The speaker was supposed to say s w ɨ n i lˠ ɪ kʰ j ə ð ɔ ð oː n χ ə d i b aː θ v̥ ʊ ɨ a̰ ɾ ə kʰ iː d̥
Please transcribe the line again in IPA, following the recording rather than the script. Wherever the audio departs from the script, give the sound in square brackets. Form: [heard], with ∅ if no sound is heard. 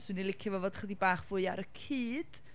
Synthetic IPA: s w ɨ n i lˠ ɪ kʰ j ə [v] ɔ [v] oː [d] χ ə d i b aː [χ] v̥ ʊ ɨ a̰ ɾ ə kʰ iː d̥